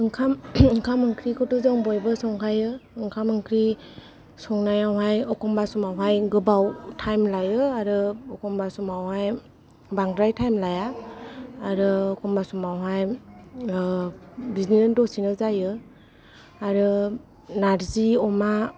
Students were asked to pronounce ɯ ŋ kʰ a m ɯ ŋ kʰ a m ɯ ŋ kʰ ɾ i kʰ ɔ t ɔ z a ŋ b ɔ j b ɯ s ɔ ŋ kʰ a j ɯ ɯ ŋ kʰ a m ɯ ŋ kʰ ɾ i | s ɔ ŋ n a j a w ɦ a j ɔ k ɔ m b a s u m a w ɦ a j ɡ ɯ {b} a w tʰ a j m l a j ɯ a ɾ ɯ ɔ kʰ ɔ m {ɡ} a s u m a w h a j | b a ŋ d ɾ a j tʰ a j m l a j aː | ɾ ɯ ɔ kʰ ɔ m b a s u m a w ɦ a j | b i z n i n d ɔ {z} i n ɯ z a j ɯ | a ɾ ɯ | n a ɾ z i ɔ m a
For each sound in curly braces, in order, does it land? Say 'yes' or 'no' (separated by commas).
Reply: yes, no, no